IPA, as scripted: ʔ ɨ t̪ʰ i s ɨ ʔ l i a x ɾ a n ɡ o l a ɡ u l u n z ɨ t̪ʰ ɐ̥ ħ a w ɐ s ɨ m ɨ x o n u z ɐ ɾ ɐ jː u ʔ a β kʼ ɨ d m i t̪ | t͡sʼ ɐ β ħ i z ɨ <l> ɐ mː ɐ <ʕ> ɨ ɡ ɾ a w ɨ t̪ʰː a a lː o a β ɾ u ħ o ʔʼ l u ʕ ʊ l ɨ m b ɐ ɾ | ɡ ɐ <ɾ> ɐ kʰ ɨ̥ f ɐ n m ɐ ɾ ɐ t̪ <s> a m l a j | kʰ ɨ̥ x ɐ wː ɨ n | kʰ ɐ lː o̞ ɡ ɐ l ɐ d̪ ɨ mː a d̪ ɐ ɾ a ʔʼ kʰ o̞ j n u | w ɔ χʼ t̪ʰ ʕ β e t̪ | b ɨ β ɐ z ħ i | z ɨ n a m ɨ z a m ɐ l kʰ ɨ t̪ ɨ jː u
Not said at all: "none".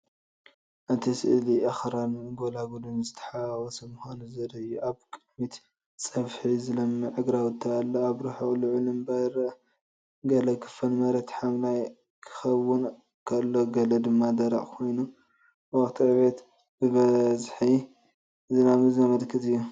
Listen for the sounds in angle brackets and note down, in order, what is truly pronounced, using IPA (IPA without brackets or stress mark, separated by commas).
l, ʕ, l, ħ